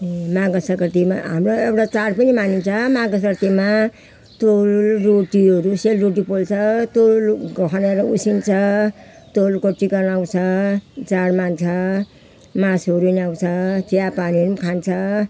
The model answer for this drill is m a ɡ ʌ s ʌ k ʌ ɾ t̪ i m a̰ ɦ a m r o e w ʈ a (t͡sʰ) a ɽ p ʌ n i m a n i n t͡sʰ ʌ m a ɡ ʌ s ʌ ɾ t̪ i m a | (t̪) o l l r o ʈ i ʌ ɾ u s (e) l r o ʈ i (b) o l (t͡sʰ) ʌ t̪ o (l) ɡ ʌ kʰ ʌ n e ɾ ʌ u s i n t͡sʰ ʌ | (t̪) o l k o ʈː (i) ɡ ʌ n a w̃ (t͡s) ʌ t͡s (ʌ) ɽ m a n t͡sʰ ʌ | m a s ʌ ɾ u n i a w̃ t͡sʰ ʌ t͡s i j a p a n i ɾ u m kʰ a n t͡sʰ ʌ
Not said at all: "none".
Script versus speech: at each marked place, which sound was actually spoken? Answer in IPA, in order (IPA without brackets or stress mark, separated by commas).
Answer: t͡s, t̪, e, p, t͡sʰ, l, t̪, i, t͡sʰ, a